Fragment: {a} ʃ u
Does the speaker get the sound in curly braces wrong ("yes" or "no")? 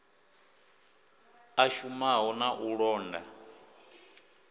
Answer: no